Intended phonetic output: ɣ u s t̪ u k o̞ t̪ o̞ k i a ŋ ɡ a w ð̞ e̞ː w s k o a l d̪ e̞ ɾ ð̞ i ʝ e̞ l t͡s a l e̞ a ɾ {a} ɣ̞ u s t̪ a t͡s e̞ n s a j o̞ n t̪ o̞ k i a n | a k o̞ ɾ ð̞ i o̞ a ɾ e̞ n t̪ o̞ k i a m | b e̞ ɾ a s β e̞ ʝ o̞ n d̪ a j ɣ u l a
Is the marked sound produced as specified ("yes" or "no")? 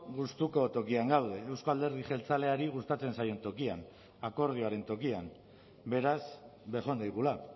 no